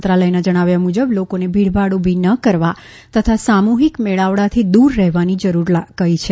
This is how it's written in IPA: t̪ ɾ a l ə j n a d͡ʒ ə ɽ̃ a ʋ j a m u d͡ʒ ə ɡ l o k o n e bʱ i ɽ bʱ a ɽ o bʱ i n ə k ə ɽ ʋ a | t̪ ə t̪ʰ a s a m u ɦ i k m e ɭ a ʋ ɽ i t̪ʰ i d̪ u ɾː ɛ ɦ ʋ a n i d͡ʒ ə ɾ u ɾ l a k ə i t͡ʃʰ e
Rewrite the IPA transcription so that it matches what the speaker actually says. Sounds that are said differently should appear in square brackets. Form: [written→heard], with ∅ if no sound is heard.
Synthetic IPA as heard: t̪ ɾ a l ə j n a d͡ʒ ə ɽ̃ a ʋ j a m u d͡ʒ ə [ɡ→b] l o k o n e bʱ i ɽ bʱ a ɽ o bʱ i n ə k ə [ɽ→ɾ] ʋ a | t̪ ə t̪ʰ a s a m u ɦ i k m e ɭ a ʋ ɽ [i→a] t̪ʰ i d̪ u ɾː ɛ ɦ ʋ a n i d͡ʒ ə ɾ u ɾ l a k ə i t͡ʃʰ e